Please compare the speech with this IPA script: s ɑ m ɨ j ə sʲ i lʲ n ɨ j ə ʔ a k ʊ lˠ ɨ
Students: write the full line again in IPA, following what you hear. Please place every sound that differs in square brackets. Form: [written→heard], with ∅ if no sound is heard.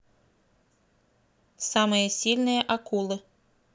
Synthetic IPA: s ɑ m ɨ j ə sʲ i lʲ n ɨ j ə ʔ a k [ʊ→u] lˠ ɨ